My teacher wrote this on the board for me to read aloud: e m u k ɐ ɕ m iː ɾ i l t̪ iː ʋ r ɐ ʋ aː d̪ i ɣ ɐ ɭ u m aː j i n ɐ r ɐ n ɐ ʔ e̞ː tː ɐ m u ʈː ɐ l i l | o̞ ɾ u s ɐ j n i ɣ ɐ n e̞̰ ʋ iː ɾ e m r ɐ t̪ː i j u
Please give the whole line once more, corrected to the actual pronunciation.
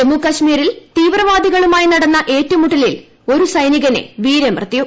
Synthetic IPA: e m u k ɐ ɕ m iː ɾ i l t̪ iː ʋ r ɐ ʋ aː d̪ i ɣ ɐ ɭ u m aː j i n ɐ ɽ ɐ nː ɐ ʔ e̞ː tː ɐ m u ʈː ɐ l i l | o̞ ɾ u s ɐ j n i ɣ ɐ n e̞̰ ʋ iː ɾ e m r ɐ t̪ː i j u